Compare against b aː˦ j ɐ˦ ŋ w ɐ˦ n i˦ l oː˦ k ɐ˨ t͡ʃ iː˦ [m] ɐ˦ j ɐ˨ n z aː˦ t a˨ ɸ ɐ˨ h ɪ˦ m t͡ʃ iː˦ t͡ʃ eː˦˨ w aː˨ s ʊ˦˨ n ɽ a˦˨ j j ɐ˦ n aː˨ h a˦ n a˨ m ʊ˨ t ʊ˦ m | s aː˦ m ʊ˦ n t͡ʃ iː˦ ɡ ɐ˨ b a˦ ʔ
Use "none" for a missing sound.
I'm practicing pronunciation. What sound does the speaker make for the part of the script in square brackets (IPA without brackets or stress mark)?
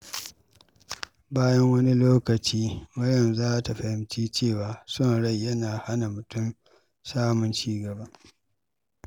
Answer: m